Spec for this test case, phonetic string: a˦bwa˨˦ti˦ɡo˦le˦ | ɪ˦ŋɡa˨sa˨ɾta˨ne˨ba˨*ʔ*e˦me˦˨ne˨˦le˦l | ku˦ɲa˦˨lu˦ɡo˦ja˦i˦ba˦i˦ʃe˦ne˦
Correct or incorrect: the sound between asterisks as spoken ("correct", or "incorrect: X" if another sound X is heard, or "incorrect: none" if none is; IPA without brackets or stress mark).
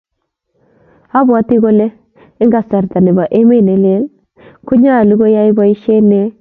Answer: correct